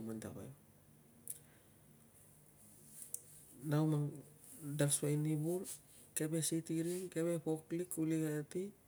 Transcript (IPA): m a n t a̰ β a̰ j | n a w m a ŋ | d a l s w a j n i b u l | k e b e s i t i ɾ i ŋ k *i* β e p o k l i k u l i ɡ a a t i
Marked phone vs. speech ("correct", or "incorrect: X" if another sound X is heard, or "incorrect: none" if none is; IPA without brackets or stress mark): incorrect: e